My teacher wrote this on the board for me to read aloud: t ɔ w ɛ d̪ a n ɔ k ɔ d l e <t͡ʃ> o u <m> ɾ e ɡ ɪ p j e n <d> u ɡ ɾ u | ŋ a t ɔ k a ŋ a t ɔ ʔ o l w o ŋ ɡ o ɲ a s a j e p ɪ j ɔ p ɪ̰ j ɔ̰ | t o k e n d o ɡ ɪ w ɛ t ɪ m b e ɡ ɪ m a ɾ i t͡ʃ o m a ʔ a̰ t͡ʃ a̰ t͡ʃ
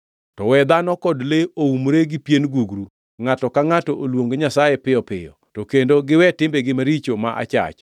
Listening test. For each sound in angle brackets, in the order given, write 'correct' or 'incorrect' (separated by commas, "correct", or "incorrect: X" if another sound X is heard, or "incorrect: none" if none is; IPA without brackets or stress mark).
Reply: incorrect: none, correct, incorrect: ɡ